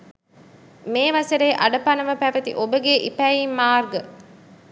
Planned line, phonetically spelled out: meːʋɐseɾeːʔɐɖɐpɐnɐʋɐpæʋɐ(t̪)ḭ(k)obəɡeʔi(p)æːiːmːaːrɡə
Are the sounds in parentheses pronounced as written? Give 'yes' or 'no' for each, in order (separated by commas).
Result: yes, no, yes